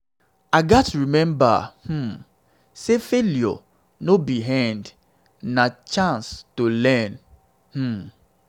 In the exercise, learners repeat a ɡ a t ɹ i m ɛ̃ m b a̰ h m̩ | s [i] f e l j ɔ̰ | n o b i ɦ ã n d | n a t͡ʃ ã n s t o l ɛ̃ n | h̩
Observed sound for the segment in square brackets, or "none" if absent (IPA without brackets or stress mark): e